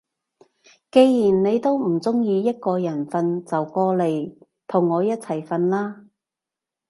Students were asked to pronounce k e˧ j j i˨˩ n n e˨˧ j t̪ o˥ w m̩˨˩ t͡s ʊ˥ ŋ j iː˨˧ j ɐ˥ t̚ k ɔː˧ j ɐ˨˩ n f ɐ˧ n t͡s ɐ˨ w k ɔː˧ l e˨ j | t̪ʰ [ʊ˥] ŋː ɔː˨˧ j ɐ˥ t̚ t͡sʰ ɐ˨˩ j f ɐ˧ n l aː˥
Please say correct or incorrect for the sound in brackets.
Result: incorrect